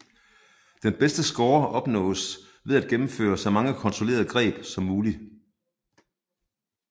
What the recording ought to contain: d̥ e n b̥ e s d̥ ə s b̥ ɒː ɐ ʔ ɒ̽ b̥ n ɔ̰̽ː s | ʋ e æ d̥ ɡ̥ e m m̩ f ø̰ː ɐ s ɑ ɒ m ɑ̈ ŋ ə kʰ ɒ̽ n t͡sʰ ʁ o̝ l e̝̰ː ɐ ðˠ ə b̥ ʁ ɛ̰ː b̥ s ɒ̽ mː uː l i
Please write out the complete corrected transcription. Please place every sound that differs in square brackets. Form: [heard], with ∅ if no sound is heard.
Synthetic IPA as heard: d̥ e n b̥ e s d̥ ə s [ɡ̥] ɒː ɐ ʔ ɒ̽ b̥ n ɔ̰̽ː s | ʋ e æ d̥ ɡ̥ e m m̩ f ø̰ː ɐ s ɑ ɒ m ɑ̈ ŋ ə kʰ ɒ̽ n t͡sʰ ʁ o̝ l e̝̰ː ɐ ðˠ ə [ɡ̥] ʁ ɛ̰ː b̥ s ɒ̽ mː uː l i